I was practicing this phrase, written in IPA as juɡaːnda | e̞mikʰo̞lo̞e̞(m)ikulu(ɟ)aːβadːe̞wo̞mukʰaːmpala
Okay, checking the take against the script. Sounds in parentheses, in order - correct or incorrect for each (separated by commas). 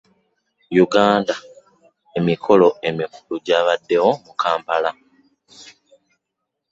correct, correct